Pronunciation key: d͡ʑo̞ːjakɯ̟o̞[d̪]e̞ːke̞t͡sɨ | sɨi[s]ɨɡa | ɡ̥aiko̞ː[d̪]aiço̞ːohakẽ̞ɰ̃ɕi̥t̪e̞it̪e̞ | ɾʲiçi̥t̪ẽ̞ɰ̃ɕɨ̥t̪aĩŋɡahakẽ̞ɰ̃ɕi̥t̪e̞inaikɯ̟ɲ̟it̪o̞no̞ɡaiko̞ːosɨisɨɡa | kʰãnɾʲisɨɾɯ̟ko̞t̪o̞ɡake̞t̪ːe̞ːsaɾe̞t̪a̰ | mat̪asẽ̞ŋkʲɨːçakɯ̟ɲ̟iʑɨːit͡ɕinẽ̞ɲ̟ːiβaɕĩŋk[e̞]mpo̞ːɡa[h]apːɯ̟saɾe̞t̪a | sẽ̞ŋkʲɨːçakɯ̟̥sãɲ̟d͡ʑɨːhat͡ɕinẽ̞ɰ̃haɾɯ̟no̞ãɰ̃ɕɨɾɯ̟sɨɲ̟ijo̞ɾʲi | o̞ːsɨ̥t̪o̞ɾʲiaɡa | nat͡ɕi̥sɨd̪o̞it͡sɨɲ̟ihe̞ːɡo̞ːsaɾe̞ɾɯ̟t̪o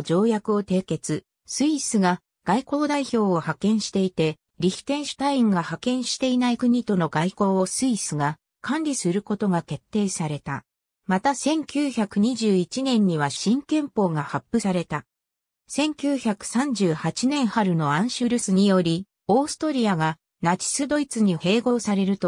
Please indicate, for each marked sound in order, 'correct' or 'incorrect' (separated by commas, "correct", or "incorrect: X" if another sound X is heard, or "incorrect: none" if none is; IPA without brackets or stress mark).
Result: incorrect: t̪, correct, correct, incorrect: ẽ̞, correct